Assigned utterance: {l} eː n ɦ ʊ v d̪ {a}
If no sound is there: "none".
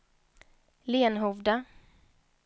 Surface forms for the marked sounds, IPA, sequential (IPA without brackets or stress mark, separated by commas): l, a